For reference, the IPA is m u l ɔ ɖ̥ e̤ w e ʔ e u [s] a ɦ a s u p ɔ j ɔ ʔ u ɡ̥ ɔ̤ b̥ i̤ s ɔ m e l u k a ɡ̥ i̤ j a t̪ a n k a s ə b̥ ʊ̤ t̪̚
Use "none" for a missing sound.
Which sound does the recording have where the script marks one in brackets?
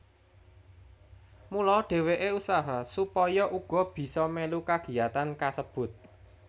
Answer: s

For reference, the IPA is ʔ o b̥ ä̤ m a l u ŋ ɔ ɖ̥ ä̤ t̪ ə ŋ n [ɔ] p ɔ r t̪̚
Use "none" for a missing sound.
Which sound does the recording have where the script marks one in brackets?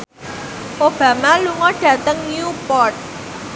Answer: u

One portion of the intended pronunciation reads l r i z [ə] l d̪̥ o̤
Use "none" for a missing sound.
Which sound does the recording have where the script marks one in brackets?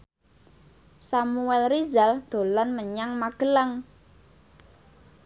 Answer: a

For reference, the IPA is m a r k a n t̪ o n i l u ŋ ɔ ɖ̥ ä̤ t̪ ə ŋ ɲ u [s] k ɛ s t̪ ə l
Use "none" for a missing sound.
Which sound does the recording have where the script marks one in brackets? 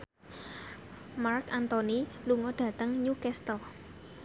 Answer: none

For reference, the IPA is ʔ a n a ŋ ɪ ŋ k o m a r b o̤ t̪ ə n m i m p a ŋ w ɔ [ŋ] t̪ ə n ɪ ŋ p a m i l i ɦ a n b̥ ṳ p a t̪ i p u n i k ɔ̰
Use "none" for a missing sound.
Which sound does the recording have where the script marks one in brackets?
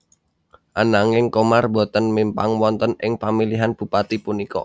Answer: n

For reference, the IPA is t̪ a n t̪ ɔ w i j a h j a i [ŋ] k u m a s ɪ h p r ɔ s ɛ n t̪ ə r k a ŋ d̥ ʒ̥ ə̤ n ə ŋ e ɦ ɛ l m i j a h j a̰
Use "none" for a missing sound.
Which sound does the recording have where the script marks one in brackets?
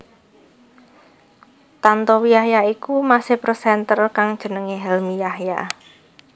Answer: none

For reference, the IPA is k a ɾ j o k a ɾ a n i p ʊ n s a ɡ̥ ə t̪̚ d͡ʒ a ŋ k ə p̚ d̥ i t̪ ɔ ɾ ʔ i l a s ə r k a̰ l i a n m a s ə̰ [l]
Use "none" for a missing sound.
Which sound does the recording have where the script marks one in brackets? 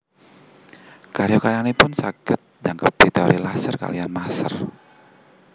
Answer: r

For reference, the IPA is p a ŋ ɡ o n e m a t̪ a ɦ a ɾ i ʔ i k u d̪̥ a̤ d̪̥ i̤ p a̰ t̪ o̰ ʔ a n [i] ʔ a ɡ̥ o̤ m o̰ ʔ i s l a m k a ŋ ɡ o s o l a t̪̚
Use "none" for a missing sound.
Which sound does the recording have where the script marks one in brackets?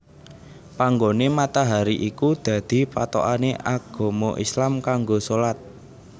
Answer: e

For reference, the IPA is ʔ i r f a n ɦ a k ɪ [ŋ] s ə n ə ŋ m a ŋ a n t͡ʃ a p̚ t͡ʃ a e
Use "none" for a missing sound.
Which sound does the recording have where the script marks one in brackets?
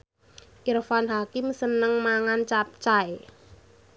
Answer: m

